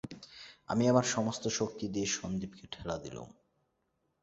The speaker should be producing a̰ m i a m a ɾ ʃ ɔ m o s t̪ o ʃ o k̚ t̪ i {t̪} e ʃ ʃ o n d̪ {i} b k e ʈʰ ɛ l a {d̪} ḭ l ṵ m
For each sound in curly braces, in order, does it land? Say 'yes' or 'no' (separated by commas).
no, yes, yes